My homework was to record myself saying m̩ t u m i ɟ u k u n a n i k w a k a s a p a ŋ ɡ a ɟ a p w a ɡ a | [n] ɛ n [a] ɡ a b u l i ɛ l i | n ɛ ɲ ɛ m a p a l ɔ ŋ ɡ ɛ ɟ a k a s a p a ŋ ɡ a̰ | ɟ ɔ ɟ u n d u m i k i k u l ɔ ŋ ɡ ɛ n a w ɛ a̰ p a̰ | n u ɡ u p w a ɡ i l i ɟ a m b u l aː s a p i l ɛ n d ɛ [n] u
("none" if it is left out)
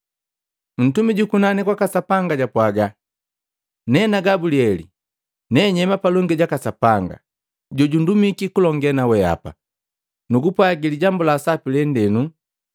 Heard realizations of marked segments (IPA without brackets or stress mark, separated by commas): n, a, n